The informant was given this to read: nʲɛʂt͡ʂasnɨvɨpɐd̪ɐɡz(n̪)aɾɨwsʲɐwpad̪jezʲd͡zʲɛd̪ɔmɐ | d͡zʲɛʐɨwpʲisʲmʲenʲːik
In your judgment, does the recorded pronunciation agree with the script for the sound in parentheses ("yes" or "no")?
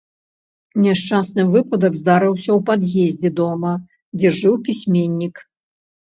no